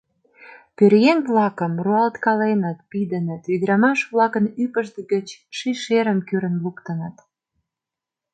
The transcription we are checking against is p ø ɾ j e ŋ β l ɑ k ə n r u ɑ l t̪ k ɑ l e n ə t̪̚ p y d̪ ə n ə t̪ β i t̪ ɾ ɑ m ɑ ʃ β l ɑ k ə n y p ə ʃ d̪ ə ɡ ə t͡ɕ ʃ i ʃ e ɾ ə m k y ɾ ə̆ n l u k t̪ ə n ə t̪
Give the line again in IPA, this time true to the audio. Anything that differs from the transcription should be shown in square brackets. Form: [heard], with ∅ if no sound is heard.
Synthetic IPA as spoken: p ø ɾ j e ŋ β l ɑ k ə [m] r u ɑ l t̪ k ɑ l e n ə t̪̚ p [i] d̪ ə n ə t̪ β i [d̪] ɾ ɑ m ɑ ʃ β l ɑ k ə n y p ə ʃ d̪ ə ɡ ə t͡ɕ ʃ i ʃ e ɾ ə m k y ɾ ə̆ n l u k t̪ ə n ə t̪